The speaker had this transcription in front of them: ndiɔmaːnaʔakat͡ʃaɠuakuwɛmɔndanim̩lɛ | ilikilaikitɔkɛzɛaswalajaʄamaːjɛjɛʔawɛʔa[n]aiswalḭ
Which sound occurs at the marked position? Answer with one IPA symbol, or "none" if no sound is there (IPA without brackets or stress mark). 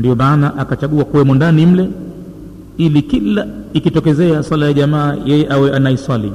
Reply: n